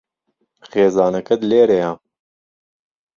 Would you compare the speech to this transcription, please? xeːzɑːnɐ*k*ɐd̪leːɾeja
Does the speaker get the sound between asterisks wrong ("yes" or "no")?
no